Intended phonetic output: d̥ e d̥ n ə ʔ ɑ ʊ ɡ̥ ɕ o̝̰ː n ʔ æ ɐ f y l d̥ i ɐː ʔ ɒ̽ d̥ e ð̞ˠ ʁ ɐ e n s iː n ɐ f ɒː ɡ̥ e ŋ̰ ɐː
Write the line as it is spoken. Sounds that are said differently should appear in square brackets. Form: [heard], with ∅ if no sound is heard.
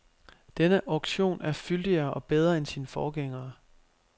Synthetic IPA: d̥ e [∅] n ə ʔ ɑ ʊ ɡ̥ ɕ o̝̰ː n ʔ æ ɐ f y l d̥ i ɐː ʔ ɒ̽ [b̥] e ð̞ˠ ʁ ɐ e n s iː n [ə] f ɒː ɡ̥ e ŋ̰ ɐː